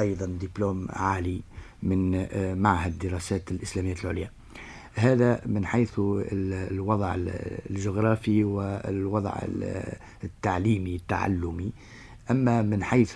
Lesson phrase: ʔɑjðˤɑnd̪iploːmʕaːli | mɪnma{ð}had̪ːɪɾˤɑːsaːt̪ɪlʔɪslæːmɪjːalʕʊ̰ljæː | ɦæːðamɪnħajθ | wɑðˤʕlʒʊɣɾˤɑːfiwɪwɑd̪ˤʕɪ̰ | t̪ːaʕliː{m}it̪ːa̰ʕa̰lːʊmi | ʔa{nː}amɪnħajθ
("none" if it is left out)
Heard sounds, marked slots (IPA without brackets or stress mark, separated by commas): ʕ, m, mː